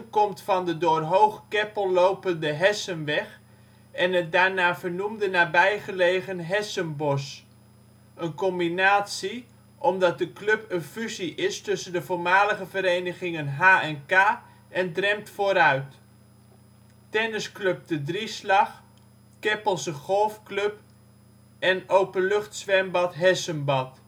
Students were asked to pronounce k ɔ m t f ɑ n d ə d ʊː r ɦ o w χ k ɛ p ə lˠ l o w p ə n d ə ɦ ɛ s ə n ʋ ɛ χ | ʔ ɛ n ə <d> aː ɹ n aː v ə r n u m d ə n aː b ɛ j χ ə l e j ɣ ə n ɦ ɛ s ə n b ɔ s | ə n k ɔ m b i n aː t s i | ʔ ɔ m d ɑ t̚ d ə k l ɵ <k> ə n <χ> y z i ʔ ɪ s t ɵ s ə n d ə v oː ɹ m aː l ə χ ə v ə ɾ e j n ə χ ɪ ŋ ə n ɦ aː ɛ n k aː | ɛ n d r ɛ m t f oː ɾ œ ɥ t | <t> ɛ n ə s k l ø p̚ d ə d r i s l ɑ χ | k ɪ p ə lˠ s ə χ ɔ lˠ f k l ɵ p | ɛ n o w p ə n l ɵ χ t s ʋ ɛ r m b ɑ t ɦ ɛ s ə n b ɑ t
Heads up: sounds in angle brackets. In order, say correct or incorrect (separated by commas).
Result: correct, incorrect, incorrect, correct